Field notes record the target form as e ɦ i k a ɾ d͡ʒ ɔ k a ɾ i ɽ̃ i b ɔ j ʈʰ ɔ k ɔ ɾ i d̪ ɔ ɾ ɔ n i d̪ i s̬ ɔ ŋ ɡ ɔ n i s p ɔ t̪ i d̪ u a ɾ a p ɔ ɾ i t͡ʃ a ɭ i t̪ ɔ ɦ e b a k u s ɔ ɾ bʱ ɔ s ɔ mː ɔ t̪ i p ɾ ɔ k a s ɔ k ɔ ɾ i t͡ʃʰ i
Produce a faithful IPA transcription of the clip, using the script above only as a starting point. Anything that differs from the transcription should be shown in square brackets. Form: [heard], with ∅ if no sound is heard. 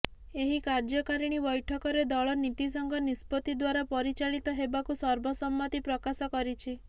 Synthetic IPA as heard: e ɦ i k a ɾ d͡ʒ ɔ k a ɾ i ɽ̃ i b ɔ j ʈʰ ɔ k ɔ ɾ [e] d̪ ɔ [ɭ] ɔ n i [t̪] i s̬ ɔ ŋ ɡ ɔ n i s p ɔ t̪ i d̪ [w] a ɾ a p ɔ ɾ i t͡ʃ a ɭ i t̪ ɔ ɦ e b a k u s ɔ ɾ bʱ ɔ s ɔ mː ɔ t̪ i p ɾ ɔ k a s ɔ k ɔ ɾ i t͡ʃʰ i